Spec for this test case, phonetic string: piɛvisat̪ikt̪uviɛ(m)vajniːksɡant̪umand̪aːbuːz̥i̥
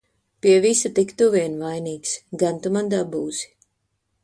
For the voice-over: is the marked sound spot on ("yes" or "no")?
no